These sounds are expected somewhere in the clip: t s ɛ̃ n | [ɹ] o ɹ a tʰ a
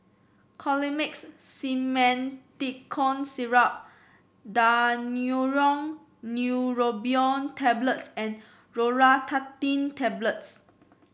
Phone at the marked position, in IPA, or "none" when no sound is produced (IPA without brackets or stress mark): ɹ